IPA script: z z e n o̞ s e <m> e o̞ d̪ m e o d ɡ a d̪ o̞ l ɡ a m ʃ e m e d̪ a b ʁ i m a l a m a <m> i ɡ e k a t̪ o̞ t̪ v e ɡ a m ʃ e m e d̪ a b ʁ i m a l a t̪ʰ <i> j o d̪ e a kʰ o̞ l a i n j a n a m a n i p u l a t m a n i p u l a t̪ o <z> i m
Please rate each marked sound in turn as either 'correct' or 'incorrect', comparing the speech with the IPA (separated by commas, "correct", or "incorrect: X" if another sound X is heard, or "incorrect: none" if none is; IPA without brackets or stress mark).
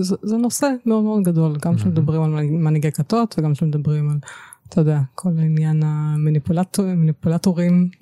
correct, incorrect: n, incorrect: a, incorrect: ʁ